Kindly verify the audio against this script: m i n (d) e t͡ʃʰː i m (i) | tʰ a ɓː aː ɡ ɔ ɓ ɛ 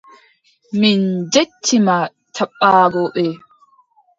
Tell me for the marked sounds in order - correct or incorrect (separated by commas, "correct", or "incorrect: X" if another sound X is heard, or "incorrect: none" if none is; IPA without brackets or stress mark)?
incorrect: d͡ʒ, incorrect: a